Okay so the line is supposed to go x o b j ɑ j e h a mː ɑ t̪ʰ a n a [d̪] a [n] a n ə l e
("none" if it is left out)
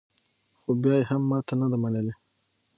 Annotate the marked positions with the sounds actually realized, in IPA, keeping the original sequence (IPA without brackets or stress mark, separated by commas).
d̪, m